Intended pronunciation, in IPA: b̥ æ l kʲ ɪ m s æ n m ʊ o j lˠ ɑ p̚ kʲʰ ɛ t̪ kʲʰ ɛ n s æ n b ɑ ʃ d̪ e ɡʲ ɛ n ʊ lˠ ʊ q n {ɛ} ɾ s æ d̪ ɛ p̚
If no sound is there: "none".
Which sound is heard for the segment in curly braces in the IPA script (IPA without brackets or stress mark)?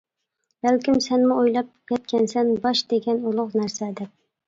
æ